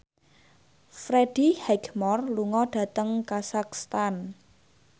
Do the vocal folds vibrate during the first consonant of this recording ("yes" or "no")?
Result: no